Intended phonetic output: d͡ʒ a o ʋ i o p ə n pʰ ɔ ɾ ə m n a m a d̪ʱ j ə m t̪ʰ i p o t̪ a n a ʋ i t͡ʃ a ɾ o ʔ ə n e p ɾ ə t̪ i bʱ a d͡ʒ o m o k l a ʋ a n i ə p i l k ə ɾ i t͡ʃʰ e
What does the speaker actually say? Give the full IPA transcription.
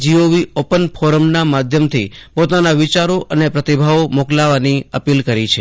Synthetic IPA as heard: d͡ʒ i o ʋ i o p ə n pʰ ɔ ɾ ə m n a m a d̪ʱ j ə m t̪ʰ i p o t̪ a n a ʋ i t͡ʃ a ɾ o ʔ ə n e p ɾ ə t̪ i bʱ a o m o k l a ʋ a n i ə p i l k ə ɾ i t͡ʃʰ e